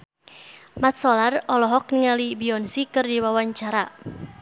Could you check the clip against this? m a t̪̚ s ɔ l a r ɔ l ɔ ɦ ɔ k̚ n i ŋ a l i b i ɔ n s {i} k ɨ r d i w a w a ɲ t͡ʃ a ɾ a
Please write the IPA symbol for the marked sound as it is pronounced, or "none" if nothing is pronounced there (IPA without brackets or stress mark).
i